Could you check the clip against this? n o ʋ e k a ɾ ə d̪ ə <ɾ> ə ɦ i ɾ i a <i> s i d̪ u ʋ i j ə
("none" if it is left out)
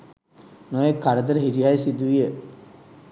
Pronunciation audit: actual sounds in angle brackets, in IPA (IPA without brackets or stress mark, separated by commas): ɾ, j